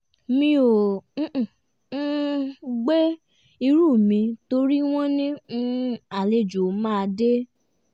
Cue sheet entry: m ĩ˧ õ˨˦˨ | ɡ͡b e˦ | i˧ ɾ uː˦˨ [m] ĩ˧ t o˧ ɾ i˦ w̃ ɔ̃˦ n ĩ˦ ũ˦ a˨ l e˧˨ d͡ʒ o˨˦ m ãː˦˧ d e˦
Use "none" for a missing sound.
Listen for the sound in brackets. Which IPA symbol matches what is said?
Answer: m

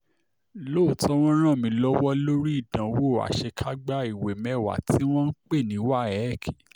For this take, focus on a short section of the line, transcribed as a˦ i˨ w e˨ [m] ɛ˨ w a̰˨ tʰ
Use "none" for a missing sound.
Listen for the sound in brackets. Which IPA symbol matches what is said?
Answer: m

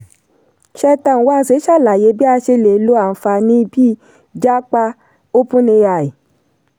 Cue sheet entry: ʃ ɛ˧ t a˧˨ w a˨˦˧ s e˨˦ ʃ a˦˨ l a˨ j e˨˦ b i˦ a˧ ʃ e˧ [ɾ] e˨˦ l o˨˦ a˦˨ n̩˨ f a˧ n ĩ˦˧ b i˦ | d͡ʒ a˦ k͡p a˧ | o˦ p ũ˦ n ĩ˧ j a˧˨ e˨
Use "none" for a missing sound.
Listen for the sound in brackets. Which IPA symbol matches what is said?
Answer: l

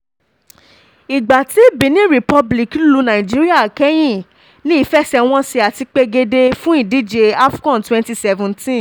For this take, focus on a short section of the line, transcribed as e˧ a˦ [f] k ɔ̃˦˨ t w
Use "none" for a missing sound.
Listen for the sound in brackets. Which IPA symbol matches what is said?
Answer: f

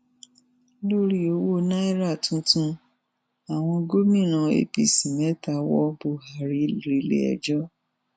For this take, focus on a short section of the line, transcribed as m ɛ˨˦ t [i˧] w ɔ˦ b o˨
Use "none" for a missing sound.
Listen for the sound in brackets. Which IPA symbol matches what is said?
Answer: a˧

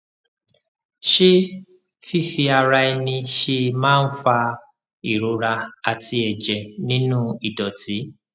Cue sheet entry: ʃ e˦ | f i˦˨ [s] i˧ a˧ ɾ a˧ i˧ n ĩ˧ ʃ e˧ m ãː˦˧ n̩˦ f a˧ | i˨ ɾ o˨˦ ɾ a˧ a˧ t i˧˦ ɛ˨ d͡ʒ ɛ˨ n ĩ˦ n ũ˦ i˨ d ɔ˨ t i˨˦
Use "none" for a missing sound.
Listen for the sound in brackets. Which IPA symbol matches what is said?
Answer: f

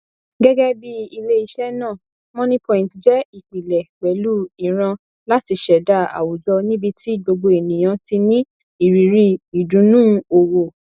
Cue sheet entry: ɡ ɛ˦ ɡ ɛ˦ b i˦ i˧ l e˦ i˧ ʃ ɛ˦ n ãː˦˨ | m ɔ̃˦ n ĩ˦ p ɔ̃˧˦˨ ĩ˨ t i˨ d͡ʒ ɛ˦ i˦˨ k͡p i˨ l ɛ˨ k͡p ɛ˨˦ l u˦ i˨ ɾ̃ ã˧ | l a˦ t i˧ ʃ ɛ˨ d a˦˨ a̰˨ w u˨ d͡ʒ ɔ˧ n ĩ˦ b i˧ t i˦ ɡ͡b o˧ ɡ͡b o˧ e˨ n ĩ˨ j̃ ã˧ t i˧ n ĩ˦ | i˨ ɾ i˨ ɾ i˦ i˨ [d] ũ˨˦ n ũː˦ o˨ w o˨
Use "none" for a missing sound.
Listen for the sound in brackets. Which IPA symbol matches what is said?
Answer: d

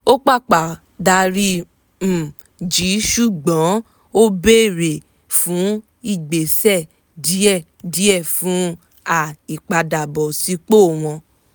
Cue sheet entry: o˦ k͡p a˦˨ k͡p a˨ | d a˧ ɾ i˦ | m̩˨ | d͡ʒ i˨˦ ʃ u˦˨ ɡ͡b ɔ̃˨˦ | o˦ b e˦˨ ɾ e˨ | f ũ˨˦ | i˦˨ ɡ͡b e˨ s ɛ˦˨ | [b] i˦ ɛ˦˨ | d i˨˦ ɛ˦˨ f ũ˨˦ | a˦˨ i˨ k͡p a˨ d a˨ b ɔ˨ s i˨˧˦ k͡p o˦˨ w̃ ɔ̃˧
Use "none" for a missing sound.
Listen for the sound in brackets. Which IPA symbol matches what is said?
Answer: d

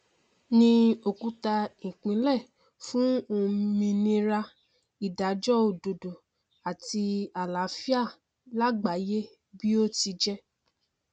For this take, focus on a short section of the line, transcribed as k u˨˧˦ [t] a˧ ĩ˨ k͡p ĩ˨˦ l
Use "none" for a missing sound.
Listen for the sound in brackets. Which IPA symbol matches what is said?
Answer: t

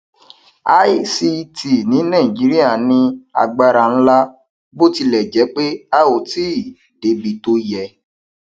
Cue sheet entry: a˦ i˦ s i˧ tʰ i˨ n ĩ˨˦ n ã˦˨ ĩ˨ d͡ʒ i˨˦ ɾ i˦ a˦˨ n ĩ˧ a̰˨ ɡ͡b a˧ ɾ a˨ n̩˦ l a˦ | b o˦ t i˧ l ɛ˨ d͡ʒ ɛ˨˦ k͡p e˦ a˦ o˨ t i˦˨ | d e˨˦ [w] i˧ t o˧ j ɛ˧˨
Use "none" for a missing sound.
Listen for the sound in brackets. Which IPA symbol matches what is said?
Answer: b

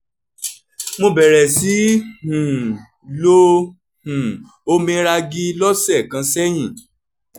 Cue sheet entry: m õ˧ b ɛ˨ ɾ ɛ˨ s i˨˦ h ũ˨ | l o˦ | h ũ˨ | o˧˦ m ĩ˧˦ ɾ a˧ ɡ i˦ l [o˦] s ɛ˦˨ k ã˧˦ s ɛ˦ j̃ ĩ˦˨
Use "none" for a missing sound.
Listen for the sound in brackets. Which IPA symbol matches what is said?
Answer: ɔ˦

